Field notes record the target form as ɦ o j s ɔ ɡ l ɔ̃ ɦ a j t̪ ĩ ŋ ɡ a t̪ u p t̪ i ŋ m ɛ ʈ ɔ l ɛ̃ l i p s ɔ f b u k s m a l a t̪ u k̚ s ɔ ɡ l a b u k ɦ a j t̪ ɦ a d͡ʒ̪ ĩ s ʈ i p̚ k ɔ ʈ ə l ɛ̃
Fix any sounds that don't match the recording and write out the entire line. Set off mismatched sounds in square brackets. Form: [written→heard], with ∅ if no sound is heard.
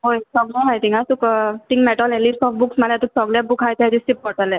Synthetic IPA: ɦ o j s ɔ ɡ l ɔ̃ ɦ a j t̪ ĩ ŋ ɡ a t̪ u [p→k] t̪ i ŋ m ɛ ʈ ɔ l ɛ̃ l i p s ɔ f b u k s m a l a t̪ u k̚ s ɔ ɡ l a b u k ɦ a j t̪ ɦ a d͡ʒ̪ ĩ s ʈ i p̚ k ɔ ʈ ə l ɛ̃